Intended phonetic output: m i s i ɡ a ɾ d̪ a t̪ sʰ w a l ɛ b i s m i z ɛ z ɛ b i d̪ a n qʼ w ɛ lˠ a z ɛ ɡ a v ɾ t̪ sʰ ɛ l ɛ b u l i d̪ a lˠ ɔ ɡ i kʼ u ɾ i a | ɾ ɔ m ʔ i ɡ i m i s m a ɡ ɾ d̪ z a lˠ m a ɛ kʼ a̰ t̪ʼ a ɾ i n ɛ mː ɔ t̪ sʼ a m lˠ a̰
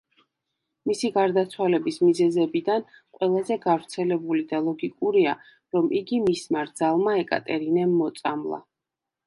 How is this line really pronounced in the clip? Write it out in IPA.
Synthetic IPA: m i s i ɡ a ɾ d̪ a t̪ sʰ w a l ɛ b i s m i z ɛ z ɛ b i d̪ a n qʼ w ɛ lˠ a z ɛ ɡ a v ɾ t̪ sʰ ɛ l ɛ b u l i d̪ a lˠ ɔ ɡ i kʼ u ɾ i a | ɾ ɔ m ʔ i ɡ i m i s m a ɾ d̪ z a lˠ m a ɛ kʼ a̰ t̪ʼ ɛ ɾ i n ɛ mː ɔ t̪ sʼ a m lˠ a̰